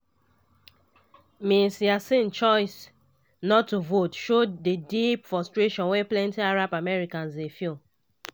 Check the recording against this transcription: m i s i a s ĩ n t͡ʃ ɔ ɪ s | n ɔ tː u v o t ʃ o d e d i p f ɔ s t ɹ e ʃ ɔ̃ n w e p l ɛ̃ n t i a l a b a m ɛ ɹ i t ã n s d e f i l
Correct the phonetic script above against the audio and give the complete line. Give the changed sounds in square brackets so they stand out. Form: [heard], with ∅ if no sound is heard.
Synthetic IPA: m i s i a s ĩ n t͡ʃ ɔ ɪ s | n ɔ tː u v o t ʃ o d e d i p f ɔ s t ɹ e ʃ ɔ̃ n w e p l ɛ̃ n t i a [ɹ] a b a m ɛ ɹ i [k] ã n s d e f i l